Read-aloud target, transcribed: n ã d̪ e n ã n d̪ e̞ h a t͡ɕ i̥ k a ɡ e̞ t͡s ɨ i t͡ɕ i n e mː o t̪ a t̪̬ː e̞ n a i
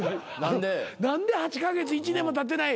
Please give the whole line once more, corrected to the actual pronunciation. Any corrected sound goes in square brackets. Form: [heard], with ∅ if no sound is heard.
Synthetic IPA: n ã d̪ e n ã n d̪ e̞ h a t͡ɕ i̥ k a ɡ e̞ t͡s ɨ i t͡ɕ i n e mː o t̪ a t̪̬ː e̞ n a i